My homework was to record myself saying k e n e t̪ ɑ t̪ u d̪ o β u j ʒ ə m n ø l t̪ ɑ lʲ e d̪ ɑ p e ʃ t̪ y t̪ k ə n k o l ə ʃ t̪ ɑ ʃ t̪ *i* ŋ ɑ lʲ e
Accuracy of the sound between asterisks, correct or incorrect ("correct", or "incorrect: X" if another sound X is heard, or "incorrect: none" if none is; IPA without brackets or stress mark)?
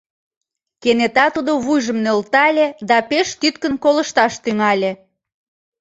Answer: incorrect: y